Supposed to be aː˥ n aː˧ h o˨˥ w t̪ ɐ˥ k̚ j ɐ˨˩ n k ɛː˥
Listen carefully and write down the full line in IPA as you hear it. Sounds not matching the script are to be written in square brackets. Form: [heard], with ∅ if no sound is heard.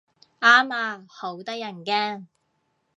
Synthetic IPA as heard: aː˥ [m] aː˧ h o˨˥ w t̪ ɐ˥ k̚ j ɐ˨˩ n k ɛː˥